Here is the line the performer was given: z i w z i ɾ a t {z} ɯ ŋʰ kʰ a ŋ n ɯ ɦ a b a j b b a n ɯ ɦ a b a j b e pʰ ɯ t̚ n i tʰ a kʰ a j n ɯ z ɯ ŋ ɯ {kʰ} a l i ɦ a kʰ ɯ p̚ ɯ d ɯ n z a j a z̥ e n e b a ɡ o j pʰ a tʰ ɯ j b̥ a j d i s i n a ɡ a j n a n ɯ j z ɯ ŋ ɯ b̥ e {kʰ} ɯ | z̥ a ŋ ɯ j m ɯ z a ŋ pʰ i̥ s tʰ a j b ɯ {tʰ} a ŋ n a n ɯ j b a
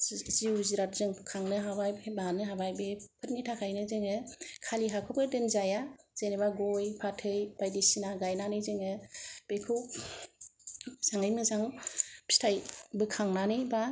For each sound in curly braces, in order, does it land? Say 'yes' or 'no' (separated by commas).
yes, yes, yes, no